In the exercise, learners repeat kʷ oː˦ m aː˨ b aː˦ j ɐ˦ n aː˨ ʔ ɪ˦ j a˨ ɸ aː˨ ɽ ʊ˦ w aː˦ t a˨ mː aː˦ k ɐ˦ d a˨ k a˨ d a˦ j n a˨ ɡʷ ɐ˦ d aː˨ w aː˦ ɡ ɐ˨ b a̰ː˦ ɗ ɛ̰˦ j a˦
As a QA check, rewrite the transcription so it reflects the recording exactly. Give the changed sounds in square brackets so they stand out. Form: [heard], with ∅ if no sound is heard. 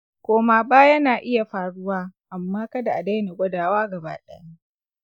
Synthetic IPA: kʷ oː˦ m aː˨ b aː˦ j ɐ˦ n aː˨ ʔ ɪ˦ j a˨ ɸ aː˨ ɽ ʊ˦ w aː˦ [ʔ] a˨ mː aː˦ k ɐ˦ d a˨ [ʔ] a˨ d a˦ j n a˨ ɡʷ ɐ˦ d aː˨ w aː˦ ɡ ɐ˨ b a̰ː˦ ɗ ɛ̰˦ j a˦